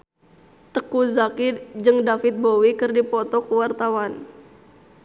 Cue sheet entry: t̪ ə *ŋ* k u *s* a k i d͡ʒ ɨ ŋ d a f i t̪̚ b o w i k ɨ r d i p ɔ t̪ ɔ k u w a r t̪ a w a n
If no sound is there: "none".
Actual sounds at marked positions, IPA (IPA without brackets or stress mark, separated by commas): none, z